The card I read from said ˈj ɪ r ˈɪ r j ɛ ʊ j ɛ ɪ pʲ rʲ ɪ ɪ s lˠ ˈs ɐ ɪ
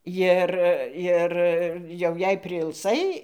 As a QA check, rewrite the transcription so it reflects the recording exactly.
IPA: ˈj ɪ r ˈɪ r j ɛ ʊ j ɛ ɪ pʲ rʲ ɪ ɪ lˠ ˈs ɐ ɪ